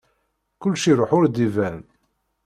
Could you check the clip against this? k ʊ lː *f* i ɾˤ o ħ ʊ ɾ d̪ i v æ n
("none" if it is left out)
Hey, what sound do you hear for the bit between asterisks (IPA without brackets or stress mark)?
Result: ʃ